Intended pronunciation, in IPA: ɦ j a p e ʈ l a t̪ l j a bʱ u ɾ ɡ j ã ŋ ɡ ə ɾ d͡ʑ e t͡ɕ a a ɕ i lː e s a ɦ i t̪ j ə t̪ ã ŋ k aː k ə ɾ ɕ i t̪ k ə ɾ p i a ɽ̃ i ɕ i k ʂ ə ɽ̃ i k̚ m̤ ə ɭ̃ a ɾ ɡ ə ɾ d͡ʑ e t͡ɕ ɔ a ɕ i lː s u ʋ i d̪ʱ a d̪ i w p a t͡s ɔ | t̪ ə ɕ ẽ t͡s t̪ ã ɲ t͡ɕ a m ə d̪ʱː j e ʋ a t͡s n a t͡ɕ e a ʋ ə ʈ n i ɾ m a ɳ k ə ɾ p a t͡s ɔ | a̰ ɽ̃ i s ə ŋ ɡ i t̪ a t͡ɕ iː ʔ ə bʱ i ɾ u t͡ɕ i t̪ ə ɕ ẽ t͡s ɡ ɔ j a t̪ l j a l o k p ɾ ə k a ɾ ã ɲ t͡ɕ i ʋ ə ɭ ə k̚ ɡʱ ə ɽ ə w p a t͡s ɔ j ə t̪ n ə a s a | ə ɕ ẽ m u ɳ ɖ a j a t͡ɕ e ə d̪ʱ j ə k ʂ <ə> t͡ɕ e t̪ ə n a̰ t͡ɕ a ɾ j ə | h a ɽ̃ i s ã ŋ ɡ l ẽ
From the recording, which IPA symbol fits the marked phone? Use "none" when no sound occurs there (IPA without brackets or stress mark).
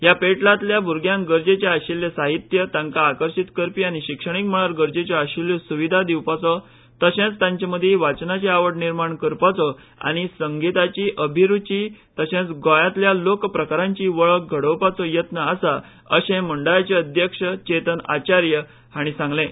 ə